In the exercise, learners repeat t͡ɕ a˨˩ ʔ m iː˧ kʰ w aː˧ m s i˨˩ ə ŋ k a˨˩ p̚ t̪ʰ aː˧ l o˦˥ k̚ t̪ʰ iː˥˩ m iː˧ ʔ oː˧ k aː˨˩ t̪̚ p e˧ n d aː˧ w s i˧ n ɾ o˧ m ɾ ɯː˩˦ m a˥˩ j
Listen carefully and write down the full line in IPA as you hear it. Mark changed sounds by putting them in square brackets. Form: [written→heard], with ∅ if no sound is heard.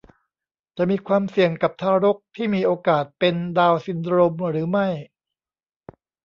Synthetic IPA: t͡ɕ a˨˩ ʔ m iː˧ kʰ w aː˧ m s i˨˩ ə ŋ k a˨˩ p̚ t̪ʰ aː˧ [l→ɾ] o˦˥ k̚ t̪ʰ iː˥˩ m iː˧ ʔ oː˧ k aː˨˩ t̪̚ p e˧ n d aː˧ w s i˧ n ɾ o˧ m ɾ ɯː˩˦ m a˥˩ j